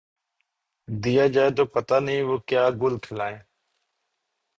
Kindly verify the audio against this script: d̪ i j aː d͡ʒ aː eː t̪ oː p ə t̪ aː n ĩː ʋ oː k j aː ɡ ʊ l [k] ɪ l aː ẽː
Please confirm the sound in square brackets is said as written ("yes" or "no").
no